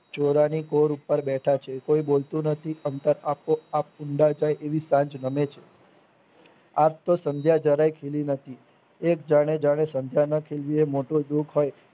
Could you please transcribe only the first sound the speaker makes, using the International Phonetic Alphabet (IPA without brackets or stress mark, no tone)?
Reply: t͡ʃ